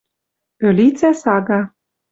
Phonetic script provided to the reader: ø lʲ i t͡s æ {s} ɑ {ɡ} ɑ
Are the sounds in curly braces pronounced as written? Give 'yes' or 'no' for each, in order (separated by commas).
yes, yes